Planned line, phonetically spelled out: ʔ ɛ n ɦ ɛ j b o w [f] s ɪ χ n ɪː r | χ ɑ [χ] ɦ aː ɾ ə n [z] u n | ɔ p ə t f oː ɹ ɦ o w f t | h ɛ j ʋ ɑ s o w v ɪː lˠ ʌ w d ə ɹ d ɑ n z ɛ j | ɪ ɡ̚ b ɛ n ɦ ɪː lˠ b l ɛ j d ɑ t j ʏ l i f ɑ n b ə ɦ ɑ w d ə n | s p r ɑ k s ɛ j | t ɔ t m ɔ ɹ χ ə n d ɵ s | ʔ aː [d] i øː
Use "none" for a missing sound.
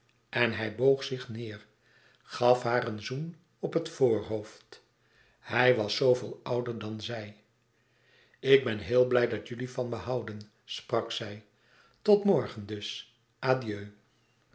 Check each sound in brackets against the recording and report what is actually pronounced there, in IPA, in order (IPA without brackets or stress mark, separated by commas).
χ, f, z, d